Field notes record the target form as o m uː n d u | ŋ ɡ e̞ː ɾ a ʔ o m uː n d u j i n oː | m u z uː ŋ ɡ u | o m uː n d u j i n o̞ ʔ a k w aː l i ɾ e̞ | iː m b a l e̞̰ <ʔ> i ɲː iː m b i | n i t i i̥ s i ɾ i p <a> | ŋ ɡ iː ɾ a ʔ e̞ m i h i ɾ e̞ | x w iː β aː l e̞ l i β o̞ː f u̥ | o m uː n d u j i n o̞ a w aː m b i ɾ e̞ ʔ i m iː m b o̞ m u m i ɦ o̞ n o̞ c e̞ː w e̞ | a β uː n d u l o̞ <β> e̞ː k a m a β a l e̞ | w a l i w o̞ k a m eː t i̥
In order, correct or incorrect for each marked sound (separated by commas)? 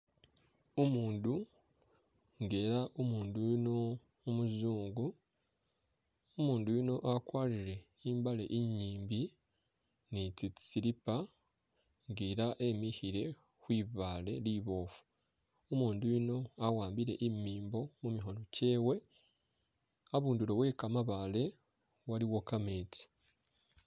correct, correct, incorrect